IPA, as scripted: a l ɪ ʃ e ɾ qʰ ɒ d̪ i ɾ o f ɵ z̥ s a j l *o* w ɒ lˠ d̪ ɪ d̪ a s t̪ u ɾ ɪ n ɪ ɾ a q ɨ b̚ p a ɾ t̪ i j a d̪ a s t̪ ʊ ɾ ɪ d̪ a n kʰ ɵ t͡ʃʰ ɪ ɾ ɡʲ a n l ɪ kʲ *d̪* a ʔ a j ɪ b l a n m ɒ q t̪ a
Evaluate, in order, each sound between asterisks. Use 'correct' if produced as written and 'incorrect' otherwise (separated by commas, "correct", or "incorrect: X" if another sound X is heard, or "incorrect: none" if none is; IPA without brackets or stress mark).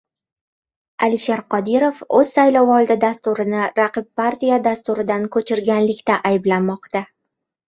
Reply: incorrect: ɒ, incorrect: t̪